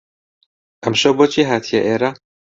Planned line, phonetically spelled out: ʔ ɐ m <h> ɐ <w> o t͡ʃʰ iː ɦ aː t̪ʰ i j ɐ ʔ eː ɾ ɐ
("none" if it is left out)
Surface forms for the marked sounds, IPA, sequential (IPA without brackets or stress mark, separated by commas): ʃ, b